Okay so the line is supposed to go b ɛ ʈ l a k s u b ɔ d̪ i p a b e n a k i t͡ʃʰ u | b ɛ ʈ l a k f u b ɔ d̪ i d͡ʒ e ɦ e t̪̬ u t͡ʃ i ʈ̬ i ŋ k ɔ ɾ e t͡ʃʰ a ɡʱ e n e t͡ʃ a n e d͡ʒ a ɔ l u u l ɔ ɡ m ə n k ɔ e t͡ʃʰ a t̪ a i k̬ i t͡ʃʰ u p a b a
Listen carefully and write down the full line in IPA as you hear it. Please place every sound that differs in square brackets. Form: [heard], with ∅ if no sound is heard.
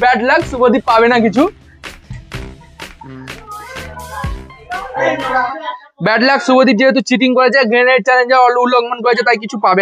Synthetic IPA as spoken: b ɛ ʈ l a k s u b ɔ d̪ i p a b e n a k i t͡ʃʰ u | b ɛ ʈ l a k [s] u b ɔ d̪ i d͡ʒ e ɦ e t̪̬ u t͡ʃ i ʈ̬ i ŋ k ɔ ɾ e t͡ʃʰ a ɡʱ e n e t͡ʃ a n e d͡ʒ a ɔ l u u l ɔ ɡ m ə n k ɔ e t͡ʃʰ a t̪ a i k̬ i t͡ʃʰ u p a b [e]